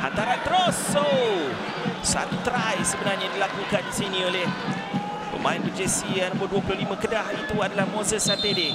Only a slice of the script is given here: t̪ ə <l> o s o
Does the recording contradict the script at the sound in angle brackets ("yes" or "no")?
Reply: yes